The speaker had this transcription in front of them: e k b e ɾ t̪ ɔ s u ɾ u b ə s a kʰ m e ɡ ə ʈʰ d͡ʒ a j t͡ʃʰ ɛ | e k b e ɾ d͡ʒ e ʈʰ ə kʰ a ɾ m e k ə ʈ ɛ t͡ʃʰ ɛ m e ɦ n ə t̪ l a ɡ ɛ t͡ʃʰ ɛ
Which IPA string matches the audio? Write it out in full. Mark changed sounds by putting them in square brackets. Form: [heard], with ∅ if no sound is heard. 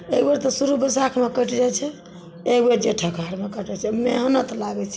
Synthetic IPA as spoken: e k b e ɾ t̪ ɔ s u ɾ u b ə s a kʰ m e [k] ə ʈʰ d͡ʒ a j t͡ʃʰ ɛ | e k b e ɾ d͡ʒ e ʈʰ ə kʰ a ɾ m e k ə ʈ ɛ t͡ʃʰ ɛ m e ɦ n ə t̪ l a ɡ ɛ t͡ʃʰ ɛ